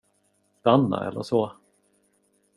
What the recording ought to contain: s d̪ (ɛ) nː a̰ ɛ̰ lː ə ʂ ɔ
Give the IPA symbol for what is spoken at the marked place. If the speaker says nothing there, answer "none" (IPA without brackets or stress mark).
a